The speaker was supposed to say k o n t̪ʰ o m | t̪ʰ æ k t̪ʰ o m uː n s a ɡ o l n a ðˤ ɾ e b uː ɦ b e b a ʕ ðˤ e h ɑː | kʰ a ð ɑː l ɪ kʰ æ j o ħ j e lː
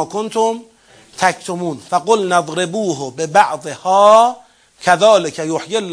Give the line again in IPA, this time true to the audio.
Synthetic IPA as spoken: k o n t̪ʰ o m | t̪ʰ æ k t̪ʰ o m uː n f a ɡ o l n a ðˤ ɾ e b uː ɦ b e b a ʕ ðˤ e h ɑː | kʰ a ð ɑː l ɪ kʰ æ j o ħ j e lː